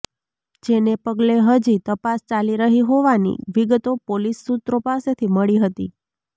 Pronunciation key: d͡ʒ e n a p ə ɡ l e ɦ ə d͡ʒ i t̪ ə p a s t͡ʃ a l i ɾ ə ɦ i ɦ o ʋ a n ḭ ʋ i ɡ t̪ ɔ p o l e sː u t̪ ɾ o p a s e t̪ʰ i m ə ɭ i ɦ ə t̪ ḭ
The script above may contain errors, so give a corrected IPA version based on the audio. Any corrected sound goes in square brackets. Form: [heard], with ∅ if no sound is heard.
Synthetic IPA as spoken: d͡ʒ e n [e] p ə ɡ l e ɦ ə d͡ʒ i t̪ ə p a s t͡ʃ a l i ɾ ə ɦ i ɦ o ʋ a n ḭ ʋ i ɡ t̪ [o] p o l [i] sː u t̪ ɾ o p a s e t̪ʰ i m ə ɭ i ɦ ə t̪ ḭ